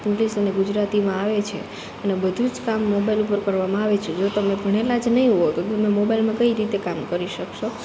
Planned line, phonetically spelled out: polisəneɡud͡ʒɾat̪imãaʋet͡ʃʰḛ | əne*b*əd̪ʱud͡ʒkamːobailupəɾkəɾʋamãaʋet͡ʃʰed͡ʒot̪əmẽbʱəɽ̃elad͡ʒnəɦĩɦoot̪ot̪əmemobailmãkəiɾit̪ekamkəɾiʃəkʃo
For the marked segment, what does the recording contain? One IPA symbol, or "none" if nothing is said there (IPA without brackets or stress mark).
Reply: b